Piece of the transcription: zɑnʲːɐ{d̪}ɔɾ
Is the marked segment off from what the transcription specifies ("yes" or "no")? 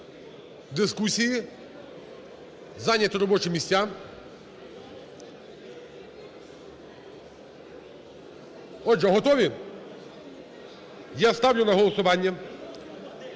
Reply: yes